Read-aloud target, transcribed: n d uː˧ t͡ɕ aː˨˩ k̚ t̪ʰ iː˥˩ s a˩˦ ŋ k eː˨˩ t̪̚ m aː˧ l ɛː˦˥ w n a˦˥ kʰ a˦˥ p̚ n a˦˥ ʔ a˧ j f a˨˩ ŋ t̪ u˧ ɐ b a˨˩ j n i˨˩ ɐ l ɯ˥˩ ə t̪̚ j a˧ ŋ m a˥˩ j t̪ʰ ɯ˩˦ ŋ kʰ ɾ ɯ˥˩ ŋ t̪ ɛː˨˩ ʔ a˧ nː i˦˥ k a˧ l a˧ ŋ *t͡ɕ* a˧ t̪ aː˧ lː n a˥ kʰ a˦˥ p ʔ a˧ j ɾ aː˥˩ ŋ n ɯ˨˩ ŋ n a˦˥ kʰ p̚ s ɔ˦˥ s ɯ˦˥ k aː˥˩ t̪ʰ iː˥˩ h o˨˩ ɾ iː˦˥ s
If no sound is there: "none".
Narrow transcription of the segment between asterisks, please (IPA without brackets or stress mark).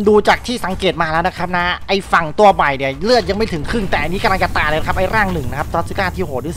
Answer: t͡ɕ